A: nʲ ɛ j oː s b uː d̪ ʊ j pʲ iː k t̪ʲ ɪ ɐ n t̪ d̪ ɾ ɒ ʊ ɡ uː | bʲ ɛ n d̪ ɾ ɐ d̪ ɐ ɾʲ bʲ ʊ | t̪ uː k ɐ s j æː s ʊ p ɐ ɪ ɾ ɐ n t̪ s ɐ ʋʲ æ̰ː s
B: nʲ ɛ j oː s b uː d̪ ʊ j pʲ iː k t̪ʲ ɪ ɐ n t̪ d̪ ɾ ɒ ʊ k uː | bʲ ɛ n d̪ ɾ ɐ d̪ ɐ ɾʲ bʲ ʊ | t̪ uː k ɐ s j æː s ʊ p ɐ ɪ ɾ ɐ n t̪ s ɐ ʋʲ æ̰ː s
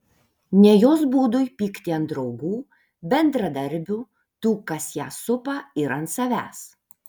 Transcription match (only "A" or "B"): A